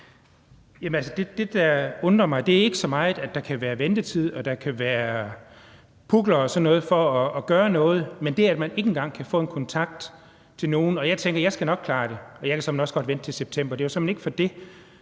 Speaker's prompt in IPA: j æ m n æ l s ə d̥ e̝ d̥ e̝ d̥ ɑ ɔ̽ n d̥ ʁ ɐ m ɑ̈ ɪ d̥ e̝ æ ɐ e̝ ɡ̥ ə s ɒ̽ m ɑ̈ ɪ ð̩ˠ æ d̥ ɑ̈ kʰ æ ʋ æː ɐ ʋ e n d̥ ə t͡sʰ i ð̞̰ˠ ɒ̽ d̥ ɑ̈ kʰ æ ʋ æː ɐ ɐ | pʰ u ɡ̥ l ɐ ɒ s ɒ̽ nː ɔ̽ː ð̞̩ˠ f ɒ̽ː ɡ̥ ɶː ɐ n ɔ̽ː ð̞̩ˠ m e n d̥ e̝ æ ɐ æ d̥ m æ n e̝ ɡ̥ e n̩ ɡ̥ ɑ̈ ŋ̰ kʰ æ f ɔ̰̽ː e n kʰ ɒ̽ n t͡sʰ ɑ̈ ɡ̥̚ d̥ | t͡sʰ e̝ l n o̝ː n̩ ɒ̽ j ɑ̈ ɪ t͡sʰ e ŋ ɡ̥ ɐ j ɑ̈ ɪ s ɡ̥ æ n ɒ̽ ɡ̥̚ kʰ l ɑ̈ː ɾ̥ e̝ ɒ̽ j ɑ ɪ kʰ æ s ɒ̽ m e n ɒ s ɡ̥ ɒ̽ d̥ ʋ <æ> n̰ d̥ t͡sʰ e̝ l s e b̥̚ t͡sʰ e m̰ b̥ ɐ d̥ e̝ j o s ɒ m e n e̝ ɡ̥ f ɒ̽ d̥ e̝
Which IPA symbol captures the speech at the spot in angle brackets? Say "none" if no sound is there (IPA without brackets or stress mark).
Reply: e